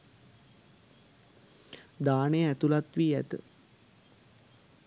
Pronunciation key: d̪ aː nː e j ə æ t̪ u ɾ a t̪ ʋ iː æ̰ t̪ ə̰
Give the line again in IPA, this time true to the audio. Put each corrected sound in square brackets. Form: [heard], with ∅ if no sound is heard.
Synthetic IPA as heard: d̪ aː [n] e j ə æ t̪ u [l] a t̪ ʋ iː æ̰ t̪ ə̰